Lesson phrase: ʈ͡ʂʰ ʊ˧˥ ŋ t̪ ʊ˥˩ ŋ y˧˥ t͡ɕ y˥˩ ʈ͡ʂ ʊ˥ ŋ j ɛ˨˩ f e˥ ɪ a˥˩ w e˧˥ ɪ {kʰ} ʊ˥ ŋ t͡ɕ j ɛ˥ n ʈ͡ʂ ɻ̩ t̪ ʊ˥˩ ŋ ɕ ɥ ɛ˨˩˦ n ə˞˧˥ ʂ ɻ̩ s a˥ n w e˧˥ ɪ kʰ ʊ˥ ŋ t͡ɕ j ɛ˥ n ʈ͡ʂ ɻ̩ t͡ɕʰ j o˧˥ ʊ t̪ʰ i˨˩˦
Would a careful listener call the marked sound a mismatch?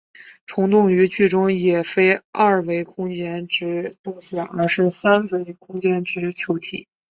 no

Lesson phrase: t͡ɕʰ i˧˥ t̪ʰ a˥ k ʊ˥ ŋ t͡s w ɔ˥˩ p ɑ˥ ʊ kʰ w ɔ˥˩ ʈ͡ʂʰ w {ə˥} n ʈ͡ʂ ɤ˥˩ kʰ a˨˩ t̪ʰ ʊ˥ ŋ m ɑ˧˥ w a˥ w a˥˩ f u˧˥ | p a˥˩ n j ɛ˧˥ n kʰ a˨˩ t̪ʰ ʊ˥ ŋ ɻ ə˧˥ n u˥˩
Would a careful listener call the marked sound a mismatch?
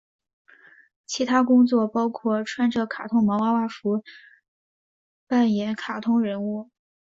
yes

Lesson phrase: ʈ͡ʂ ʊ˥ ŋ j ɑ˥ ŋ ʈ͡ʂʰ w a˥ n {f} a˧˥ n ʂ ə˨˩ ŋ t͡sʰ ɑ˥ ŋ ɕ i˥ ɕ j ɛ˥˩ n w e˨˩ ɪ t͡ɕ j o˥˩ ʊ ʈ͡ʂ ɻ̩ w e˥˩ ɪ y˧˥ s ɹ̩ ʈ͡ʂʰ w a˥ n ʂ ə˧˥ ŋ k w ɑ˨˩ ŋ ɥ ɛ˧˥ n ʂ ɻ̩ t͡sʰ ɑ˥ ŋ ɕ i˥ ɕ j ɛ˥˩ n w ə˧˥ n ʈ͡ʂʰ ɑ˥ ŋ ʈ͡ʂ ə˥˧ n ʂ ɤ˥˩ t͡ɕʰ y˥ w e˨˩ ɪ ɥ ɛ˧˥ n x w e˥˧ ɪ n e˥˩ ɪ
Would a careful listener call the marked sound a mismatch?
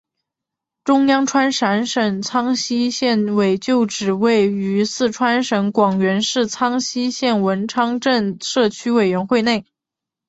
yes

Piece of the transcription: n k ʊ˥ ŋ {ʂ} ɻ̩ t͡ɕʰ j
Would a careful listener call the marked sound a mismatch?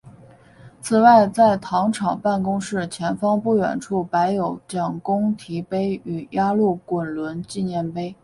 no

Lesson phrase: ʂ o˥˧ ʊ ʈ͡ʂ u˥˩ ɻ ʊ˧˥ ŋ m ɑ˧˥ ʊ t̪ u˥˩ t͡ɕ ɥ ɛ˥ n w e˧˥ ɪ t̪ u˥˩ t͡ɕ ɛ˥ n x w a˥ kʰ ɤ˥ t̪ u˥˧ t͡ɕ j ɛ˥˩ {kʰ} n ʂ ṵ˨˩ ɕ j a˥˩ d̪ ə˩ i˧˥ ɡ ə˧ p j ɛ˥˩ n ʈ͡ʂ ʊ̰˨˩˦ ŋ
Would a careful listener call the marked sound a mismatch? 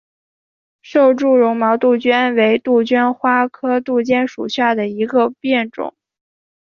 yes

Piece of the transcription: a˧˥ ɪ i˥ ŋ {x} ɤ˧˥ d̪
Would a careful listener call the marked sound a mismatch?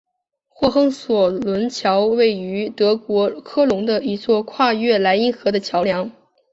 no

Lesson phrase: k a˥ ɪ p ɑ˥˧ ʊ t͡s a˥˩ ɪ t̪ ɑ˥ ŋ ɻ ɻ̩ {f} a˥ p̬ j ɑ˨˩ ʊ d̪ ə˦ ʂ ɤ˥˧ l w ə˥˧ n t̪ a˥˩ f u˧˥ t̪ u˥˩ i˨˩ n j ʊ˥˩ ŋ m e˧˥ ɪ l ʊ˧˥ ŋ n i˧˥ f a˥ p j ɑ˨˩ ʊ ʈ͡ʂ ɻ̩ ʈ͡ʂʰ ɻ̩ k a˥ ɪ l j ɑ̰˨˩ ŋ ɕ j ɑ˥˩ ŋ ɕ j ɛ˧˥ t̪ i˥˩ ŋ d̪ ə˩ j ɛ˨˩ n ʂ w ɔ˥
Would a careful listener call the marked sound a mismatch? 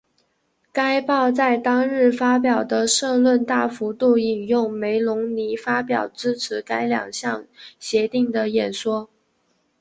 no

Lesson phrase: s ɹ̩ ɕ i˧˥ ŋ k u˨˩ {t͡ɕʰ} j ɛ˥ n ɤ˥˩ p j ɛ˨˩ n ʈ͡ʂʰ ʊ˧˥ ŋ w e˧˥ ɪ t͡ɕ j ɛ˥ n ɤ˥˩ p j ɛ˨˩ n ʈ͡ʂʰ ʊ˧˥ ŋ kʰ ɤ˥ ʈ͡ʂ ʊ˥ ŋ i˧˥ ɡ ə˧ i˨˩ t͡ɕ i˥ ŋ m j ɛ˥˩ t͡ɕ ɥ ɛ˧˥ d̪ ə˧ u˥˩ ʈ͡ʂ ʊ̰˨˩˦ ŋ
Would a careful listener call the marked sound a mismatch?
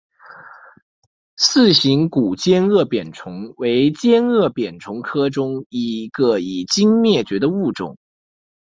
yes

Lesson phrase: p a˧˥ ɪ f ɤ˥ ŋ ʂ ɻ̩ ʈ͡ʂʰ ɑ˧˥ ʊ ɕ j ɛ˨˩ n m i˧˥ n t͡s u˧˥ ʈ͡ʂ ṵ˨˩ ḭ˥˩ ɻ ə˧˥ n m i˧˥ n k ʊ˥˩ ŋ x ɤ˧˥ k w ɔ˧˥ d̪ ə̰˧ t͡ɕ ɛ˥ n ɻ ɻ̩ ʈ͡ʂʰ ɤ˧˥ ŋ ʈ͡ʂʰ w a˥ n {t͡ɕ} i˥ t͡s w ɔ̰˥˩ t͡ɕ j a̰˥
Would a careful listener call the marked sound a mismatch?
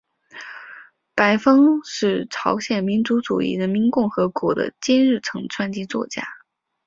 no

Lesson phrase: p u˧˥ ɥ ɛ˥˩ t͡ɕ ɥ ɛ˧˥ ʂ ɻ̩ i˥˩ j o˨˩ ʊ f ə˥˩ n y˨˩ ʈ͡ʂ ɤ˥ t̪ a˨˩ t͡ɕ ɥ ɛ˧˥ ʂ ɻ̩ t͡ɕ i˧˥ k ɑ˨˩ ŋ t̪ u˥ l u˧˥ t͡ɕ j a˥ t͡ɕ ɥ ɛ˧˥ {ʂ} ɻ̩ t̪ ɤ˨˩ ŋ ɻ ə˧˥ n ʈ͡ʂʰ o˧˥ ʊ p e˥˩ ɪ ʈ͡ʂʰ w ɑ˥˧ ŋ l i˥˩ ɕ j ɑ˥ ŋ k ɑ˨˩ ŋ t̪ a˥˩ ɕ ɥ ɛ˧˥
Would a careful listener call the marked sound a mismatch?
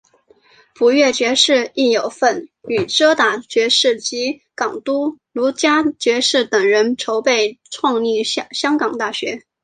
no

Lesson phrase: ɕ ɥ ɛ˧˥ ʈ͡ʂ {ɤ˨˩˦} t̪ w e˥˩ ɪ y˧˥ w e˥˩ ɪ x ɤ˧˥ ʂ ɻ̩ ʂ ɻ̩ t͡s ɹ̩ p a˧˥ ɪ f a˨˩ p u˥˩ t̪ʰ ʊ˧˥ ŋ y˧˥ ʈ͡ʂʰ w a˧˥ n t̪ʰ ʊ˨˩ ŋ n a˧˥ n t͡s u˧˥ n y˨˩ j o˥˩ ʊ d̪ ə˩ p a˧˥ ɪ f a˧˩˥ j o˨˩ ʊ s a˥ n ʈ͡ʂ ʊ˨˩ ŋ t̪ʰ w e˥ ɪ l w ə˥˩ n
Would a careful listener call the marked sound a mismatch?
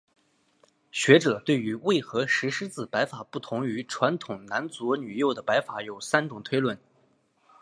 no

